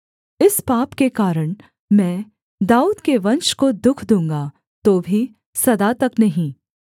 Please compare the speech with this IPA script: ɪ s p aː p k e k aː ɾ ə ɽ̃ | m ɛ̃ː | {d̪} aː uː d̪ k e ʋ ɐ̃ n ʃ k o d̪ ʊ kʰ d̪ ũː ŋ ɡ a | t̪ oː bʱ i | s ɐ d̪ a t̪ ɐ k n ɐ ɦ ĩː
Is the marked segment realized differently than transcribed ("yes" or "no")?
no